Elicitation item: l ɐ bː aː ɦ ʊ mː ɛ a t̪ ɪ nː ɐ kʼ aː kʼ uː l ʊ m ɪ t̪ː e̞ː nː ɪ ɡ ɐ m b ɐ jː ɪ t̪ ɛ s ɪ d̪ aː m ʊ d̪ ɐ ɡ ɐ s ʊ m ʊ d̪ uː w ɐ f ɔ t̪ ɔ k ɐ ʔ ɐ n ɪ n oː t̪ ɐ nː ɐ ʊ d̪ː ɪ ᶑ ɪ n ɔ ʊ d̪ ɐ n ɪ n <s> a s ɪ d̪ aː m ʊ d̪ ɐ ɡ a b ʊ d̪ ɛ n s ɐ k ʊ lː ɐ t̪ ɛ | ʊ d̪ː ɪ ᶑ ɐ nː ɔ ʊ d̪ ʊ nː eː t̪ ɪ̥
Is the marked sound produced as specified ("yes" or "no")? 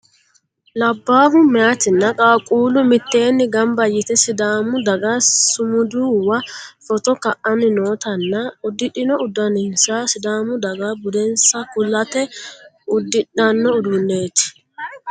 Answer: yes